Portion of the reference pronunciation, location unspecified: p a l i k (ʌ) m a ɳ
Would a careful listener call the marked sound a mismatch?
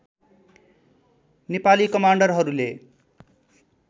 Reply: no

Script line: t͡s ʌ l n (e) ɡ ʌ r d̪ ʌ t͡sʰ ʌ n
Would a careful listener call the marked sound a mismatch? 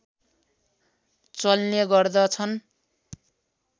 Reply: no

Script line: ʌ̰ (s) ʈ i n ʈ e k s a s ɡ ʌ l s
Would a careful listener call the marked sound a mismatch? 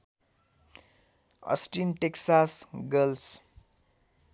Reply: no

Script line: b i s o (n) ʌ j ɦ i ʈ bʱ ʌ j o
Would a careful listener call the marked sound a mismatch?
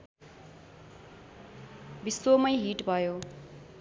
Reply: yes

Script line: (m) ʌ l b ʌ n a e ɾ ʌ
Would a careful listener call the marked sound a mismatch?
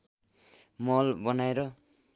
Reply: no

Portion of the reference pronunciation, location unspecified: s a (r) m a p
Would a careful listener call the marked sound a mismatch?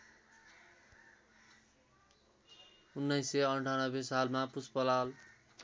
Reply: yes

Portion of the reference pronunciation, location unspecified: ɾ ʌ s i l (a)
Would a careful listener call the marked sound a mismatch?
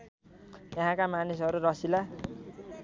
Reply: no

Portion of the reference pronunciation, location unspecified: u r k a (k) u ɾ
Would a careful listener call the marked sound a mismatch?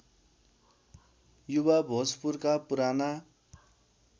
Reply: yes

